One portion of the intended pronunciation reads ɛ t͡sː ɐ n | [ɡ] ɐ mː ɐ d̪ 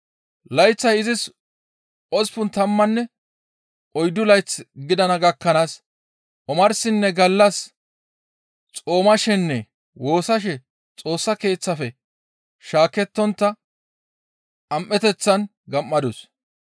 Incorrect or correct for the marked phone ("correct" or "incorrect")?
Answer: correct